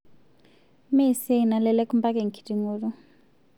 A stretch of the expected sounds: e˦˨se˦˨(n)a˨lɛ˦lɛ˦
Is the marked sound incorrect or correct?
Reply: correct